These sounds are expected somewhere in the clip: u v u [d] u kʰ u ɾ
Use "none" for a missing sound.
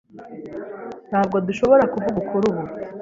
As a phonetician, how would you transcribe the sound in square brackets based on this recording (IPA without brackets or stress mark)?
ɡ